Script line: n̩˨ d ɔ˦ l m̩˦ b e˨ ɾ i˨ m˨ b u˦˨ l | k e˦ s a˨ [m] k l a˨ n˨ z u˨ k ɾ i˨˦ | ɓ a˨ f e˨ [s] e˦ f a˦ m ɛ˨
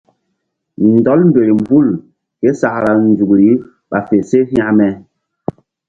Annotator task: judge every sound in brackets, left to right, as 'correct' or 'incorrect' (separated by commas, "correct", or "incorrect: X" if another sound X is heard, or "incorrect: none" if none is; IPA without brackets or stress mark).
incorrect: none, correct